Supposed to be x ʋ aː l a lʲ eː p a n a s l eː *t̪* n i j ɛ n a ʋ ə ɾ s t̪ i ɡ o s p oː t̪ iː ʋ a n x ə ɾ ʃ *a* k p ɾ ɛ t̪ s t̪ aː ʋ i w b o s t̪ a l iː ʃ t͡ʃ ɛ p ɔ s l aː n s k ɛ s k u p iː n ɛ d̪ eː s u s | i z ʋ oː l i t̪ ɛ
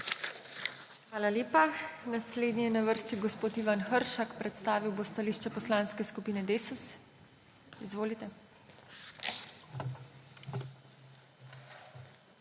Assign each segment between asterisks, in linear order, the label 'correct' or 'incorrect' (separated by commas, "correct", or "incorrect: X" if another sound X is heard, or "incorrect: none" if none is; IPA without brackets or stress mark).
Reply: incorrect: d̪, correct